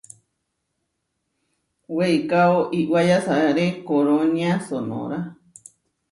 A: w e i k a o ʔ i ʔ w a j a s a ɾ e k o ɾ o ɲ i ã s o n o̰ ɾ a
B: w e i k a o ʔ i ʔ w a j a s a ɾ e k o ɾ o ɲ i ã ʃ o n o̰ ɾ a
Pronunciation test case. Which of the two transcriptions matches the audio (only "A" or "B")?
A